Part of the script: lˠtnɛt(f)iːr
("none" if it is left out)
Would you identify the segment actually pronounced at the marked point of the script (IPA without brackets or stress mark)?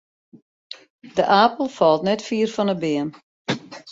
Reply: f